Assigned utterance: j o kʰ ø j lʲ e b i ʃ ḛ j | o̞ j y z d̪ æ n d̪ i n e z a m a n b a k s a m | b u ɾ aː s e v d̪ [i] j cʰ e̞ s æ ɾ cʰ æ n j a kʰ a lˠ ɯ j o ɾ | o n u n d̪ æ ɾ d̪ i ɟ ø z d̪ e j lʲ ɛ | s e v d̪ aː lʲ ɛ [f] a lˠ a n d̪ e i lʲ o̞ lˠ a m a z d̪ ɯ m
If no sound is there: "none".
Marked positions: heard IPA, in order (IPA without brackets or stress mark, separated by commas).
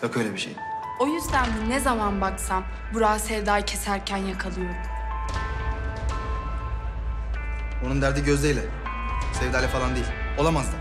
a, f